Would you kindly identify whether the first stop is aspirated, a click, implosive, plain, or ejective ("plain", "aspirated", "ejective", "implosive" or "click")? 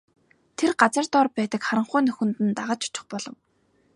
aspirated